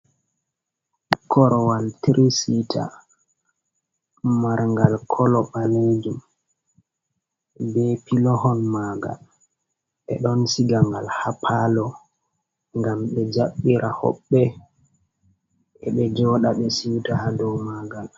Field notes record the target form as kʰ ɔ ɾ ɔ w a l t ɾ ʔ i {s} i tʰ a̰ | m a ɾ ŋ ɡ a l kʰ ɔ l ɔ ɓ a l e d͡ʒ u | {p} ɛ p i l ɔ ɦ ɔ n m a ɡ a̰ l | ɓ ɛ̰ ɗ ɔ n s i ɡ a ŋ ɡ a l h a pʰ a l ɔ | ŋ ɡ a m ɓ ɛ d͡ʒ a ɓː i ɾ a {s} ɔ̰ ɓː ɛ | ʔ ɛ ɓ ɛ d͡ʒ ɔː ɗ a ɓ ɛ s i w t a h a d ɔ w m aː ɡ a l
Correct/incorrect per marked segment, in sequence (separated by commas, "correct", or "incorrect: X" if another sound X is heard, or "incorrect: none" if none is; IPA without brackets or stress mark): correct, incorrect: b, incorrect: h